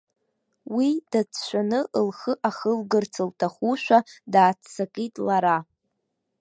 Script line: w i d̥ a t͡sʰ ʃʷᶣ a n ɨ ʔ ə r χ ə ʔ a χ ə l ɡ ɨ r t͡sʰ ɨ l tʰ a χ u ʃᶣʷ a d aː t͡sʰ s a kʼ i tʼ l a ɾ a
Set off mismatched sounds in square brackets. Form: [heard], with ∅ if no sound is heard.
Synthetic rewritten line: w i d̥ a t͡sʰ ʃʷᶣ a n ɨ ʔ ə [l] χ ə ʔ a χ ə l ɡ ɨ r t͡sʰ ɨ l tʰ a χ u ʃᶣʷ a d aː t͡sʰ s a kʼ i tʼ l a ɾ a